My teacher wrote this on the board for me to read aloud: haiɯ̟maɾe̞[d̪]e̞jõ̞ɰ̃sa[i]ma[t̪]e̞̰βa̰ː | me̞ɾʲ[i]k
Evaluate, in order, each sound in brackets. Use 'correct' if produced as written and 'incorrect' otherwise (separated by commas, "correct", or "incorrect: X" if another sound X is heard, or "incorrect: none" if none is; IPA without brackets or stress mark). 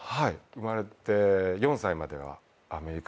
incorrect: t̪, correct, incorrect: d̪, correct